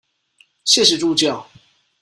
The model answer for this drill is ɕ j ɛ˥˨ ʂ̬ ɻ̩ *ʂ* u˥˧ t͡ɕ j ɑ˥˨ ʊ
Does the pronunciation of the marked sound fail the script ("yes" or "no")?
yes